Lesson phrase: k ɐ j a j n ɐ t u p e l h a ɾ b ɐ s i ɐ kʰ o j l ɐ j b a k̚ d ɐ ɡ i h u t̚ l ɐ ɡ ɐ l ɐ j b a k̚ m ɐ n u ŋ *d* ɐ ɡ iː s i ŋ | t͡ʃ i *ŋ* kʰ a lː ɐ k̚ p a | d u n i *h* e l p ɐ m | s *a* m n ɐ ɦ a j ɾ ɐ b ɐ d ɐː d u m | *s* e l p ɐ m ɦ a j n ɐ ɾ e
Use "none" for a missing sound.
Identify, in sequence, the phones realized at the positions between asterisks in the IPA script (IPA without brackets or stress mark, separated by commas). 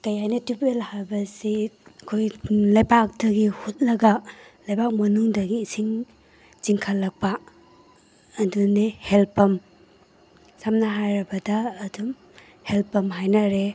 d, ŋ, h, a, h